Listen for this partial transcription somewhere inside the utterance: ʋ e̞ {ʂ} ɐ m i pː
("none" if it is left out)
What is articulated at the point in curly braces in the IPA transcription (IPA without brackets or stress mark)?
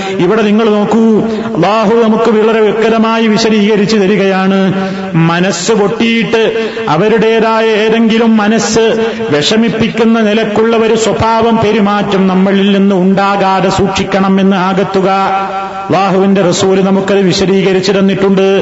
ʂ